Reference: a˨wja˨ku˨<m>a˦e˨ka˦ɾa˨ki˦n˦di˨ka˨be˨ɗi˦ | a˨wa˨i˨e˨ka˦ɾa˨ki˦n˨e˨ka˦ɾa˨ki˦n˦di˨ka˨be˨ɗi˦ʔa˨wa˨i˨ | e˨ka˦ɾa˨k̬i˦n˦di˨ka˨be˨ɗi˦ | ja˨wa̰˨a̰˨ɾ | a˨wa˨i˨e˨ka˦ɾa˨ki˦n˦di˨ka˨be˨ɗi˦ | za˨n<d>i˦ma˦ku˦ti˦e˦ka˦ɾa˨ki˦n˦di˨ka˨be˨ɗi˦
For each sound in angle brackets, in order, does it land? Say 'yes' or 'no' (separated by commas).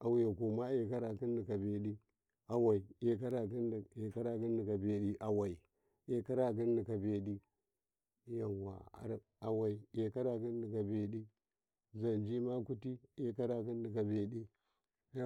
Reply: yes, no